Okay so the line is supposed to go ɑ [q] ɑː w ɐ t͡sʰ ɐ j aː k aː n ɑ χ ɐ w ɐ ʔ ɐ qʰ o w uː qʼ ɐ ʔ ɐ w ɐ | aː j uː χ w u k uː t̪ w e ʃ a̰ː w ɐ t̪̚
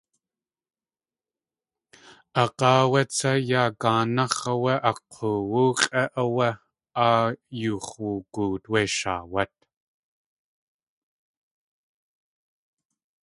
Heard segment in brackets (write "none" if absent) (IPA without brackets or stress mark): q